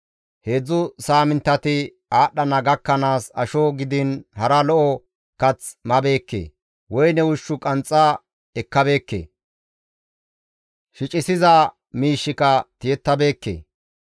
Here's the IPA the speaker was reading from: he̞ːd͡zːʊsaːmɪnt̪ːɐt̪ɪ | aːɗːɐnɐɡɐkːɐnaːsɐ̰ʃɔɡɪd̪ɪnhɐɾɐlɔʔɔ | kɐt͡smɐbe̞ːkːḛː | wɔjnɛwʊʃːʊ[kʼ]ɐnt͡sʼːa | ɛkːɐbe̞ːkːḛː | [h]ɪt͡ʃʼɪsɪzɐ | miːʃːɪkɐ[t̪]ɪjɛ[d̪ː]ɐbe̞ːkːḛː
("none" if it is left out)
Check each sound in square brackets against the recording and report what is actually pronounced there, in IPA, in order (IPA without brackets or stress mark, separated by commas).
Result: kʼ, ʃ, t̪, t̪ː